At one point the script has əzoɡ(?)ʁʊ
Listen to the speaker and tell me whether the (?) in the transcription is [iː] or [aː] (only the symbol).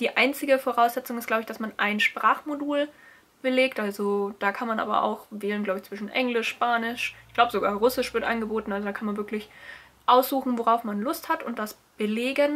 aː